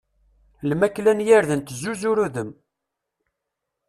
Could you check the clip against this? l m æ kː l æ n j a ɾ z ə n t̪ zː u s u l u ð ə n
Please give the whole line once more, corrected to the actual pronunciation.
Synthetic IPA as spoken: l m æ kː l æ n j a ɾ ð ə n t̪ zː u z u ɾ u ð ə m